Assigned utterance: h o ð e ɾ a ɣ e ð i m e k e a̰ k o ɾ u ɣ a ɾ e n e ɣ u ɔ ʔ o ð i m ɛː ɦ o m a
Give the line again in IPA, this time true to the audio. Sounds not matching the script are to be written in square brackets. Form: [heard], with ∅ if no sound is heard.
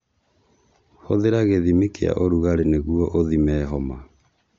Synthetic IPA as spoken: h o ð e ɾ a ɣ e ð i m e k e a̰ [ʔ] o ɾ u ɣ a ɾ e n e ɣ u ɔ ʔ o ð i m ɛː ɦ [ɔ] m a